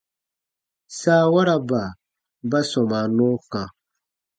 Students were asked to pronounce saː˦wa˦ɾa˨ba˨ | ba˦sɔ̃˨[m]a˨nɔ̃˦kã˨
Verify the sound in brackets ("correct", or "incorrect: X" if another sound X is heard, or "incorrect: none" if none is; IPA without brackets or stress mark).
correct